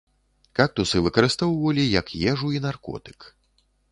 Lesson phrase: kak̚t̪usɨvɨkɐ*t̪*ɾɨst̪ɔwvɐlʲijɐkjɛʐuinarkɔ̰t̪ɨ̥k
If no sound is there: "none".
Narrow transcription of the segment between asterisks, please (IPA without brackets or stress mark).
none